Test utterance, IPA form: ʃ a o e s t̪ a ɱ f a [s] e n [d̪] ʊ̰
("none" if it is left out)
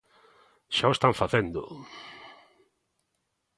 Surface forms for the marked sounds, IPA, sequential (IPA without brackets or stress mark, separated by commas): θ, d̪